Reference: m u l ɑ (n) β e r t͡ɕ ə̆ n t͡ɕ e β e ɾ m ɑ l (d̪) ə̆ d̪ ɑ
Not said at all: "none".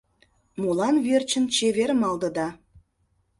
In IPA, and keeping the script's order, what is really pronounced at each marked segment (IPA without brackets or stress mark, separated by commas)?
n, d̪